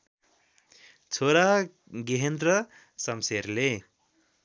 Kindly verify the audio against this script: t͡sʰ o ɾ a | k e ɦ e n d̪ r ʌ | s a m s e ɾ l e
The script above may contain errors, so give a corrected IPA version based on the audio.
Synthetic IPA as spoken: t͡sʰ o ɾ a | ɡ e ɦ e n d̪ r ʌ | s ʌ m s e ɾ l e